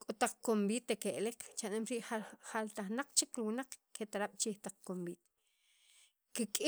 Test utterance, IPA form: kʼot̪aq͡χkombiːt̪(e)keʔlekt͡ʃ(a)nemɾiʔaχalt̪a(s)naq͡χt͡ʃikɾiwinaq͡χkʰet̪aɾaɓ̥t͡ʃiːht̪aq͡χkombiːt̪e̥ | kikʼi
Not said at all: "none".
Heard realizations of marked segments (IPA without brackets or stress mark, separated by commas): e, a, χ